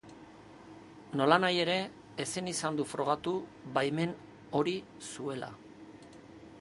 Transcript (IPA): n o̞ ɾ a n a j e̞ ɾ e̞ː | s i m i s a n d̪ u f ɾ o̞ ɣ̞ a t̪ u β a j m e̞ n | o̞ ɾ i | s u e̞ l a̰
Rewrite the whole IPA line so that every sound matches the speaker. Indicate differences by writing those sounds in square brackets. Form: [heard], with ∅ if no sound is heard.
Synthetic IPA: n o̞ [l] a n a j e̞ ɾ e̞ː | s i [n] i s a n d̪ u f ɾ o̞ ɣ̞ a t̪ u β a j m e̞ n | o̞ ɾ i | s u e̞ l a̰